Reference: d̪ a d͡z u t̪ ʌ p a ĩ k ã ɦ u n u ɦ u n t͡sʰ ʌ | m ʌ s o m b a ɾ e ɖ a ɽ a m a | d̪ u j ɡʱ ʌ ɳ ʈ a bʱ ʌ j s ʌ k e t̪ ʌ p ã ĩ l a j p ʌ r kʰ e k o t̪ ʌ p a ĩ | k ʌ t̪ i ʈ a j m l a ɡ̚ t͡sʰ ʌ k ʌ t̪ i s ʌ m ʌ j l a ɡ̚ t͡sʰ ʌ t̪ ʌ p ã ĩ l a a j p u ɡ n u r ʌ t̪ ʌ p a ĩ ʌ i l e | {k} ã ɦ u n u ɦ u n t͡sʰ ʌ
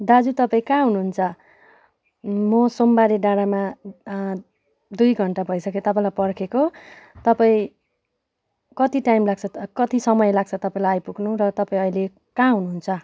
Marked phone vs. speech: correct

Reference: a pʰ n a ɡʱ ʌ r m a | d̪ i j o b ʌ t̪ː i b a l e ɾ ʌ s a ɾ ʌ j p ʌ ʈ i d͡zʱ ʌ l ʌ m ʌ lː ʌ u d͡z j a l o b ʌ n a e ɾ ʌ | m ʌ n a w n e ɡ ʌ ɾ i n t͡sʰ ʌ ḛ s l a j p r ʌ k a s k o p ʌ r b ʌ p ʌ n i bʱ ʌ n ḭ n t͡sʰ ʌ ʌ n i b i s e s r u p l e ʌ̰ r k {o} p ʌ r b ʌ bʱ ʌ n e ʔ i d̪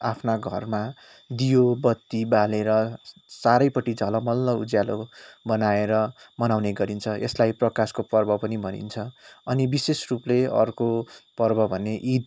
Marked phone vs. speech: correct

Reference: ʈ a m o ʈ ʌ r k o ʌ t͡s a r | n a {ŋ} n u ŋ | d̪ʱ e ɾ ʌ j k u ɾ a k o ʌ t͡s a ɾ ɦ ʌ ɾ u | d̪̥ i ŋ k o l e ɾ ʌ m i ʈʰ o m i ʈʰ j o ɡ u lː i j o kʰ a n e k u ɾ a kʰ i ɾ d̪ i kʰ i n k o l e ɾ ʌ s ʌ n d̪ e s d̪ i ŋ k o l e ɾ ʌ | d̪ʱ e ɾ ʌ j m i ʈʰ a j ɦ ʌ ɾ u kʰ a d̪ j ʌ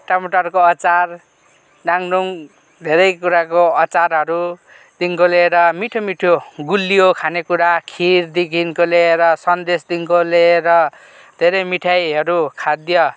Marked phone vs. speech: correct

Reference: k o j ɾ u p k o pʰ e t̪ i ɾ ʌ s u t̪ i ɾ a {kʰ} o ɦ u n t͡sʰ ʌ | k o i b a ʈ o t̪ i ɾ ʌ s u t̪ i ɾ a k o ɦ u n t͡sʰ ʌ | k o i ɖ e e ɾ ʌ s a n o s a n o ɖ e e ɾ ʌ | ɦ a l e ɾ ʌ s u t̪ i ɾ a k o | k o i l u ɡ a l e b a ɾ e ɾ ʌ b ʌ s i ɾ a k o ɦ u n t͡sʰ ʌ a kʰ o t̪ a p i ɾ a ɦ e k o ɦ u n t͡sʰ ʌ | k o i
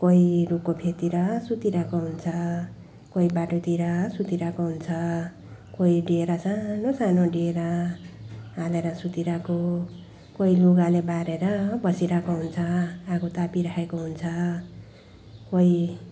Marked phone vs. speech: incorrect: k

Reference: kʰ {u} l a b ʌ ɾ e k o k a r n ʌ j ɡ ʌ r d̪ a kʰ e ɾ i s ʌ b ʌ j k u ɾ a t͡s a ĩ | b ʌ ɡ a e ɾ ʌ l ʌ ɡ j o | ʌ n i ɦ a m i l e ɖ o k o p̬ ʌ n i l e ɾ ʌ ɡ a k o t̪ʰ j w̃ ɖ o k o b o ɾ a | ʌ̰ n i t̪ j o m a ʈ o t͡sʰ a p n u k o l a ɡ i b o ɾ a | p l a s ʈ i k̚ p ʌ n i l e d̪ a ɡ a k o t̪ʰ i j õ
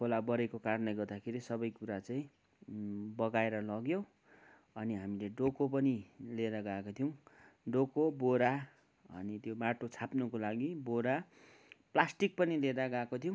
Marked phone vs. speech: incorrect: o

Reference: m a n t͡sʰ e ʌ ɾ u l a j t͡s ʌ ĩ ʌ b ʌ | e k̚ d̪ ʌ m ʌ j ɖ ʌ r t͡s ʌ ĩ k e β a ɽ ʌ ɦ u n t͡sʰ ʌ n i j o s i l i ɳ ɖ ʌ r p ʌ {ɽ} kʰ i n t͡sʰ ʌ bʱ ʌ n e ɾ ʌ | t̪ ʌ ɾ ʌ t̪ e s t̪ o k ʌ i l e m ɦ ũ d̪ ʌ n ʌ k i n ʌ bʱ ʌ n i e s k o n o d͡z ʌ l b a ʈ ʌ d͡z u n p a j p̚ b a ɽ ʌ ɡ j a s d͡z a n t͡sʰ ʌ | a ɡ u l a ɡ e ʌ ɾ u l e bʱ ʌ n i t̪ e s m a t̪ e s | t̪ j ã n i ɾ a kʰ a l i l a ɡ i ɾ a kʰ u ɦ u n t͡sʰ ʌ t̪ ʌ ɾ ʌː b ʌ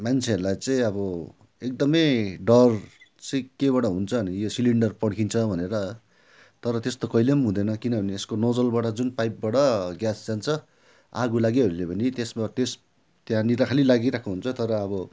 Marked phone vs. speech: correct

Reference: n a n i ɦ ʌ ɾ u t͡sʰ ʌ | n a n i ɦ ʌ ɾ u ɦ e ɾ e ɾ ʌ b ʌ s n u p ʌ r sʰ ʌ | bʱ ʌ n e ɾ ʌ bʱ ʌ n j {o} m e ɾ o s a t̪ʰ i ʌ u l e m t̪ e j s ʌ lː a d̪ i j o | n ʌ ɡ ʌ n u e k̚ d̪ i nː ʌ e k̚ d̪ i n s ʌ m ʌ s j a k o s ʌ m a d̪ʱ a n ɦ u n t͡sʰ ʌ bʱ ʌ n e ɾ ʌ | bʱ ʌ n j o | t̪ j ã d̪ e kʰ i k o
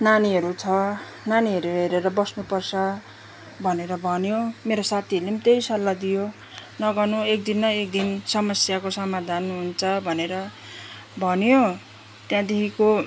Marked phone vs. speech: correct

